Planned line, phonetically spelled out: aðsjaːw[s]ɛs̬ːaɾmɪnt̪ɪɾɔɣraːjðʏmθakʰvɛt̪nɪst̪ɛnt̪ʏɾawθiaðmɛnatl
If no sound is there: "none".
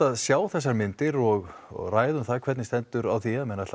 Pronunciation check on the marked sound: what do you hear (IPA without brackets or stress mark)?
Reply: θ